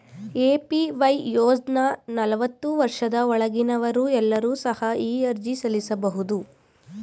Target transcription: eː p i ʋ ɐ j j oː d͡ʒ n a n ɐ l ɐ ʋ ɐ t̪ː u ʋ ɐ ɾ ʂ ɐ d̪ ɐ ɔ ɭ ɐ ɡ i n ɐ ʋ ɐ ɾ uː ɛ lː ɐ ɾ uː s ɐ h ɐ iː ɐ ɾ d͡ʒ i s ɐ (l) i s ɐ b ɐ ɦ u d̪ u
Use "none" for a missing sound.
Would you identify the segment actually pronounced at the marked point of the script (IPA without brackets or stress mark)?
l